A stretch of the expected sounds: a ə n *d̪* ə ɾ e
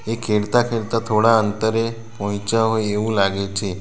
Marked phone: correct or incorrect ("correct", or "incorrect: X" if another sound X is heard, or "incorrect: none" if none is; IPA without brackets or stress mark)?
incorrect: t̪